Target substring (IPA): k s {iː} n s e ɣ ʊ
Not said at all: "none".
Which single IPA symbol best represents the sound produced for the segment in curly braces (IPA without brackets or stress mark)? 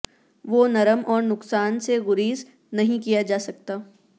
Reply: aː